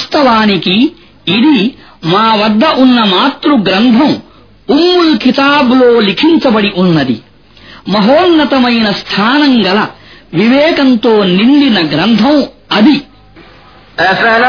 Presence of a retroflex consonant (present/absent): present